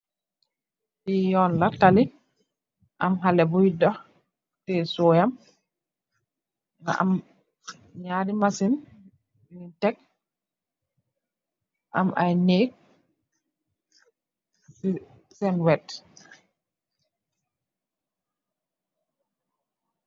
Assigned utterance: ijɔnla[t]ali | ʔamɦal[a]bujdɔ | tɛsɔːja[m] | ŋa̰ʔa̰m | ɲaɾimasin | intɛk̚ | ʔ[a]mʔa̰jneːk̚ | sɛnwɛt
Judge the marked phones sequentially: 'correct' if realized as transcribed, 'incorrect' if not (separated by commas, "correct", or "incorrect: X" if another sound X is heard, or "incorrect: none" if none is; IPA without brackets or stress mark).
correct, incorrect: ɛ, correct, correct